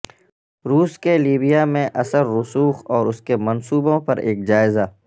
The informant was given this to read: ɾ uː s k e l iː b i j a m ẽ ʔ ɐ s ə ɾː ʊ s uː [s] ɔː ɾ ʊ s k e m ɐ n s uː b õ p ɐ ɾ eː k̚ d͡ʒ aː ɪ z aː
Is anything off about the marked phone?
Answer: yes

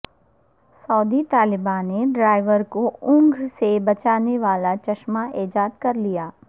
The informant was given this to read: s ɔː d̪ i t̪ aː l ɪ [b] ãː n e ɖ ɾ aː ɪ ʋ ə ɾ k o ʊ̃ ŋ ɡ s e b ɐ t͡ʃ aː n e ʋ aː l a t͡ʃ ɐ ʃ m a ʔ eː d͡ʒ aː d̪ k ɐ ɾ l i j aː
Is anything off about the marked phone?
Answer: no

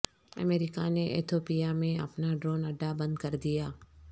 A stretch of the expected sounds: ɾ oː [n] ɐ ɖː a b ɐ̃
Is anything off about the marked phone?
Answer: no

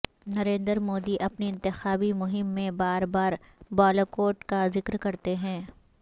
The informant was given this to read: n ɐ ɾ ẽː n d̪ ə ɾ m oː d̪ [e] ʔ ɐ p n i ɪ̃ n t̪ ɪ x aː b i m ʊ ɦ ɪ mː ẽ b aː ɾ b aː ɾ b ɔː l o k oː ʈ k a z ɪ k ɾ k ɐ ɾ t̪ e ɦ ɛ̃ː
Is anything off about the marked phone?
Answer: yes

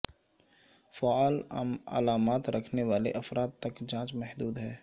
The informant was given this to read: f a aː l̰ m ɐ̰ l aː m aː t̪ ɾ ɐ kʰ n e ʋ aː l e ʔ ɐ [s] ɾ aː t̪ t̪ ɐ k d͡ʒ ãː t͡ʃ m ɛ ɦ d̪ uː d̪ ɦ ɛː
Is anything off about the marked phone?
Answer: yes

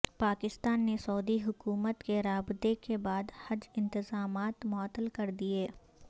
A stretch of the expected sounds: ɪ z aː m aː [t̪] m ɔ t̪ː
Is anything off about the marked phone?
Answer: no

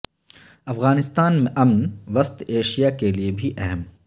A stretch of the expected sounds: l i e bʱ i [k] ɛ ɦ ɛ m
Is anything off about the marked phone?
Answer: yes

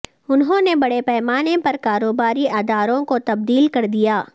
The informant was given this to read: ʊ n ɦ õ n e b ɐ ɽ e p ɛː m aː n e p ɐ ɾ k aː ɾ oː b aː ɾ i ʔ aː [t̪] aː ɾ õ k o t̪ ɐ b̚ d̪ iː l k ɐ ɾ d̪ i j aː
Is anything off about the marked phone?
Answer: yes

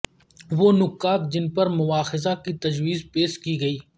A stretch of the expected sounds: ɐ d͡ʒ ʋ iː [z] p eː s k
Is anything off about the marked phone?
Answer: no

